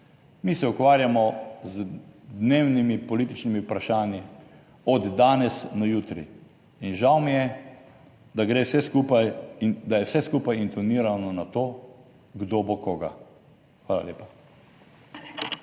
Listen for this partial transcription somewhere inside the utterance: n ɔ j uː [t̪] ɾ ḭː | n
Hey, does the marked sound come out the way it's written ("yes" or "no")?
yes